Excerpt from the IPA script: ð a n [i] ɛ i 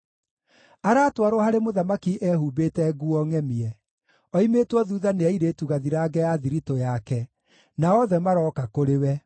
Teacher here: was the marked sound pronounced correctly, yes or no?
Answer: no